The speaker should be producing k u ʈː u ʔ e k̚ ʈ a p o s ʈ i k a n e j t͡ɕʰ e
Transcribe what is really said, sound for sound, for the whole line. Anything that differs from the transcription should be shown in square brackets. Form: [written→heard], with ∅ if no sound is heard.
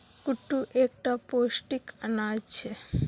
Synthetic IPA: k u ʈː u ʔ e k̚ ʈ a p o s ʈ i k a n [e→a] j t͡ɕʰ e